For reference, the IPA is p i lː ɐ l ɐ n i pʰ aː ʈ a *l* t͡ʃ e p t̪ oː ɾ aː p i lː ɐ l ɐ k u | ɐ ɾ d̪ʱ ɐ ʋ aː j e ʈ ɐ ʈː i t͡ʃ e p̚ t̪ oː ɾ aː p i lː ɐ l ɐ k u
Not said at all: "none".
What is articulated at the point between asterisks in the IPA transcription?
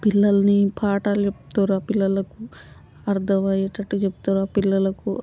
l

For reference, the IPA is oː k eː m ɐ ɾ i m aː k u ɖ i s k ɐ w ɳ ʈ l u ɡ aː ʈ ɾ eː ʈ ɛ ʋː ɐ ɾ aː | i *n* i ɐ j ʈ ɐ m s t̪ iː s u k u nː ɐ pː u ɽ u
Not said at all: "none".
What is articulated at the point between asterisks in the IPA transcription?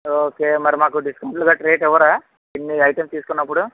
nː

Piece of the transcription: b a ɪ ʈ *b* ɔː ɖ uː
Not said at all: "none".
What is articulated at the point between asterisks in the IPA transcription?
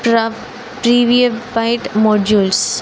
m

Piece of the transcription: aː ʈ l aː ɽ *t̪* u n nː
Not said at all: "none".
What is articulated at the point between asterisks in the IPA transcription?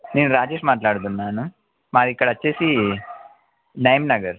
d̪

